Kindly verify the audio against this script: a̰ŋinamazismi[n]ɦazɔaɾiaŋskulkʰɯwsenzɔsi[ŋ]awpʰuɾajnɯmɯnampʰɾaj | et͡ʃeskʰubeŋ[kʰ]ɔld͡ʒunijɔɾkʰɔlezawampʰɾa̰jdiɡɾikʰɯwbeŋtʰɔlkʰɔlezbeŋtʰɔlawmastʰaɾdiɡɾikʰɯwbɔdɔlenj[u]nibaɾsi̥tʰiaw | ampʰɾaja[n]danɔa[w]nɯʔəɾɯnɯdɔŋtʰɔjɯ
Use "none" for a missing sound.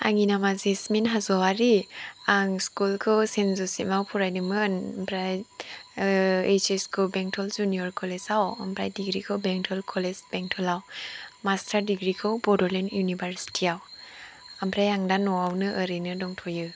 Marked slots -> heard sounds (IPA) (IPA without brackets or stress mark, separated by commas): n, m, tʰ, u, ŋ, w